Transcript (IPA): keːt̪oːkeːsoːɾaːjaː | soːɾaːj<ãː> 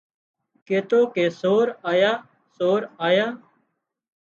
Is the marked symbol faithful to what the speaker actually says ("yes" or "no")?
no